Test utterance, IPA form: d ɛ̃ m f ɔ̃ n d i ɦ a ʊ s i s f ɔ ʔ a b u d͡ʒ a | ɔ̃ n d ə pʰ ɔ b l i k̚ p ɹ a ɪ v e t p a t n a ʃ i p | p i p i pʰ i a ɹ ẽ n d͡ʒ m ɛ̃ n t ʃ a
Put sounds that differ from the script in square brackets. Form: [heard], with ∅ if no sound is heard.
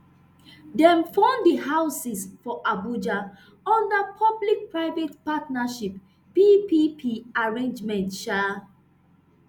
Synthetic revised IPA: d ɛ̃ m f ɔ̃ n d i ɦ a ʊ s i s f ɔ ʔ a b u d͡ʒ a | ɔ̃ n d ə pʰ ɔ b l i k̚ p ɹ a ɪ v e t p a t n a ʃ i p | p i p i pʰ i a ɹ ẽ n d͡ʒ m ɛ̃ n t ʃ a